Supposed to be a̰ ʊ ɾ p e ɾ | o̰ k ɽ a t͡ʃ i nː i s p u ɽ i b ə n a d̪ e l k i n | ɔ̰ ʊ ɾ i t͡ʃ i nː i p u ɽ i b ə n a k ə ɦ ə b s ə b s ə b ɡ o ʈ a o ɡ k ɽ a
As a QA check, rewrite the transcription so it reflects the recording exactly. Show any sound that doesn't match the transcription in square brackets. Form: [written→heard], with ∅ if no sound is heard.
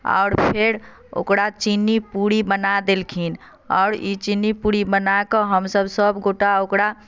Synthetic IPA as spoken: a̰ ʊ ɾ [p→pʰ] e ɾ | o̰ k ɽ a t͡ʃ i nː i [s→∅] p u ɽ i b ə n a d̪ e l [k→kʰ] i n | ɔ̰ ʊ ɾ i t͡ʃ i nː i p u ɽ i b ə n a k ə ɦ ə [b→m] s ə b s ə b ɡ o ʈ a o [ɡ→∅] k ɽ a